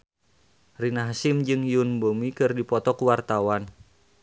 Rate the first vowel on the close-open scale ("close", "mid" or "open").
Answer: close